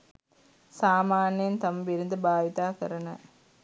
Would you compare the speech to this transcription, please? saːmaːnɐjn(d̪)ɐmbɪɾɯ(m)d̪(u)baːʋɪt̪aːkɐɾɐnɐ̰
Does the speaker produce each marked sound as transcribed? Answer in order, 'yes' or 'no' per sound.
no, no, no

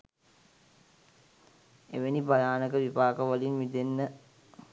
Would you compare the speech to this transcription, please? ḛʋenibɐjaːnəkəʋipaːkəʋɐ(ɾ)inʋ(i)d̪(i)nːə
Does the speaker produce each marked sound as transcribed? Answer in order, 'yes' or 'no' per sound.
no, yes, no

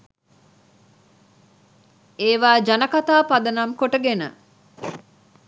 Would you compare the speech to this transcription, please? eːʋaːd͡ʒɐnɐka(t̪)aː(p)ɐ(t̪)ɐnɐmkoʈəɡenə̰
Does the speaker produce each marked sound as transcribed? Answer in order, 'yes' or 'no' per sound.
yes, yes, no

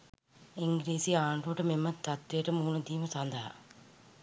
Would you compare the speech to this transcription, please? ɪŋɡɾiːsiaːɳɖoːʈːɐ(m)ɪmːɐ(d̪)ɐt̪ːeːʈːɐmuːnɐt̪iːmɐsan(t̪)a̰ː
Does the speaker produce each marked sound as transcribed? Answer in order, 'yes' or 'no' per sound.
yes, no, no

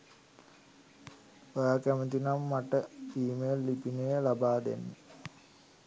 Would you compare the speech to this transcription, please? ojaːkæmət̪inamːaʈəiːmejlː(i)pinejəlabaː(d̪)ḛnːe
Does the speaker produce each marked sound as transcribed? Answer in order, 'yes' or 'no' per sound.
yes, yes

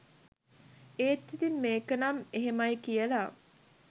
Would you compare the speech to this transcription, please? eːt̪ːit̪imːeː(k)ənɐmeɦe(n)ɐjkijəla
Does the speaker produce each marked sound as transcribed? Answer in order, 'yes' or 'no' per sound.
yes, no

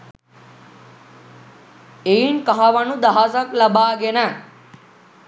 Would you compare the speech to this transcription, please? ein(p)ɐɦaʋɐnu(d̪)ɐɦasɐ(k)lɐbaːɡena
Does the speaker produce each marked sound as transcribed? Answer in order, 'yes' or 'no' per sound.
no, yes, yes

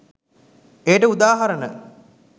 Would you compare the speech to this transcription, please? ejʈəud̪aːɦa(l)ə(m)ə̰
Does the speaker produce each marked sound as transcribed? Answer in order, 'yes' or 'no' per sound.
no, no

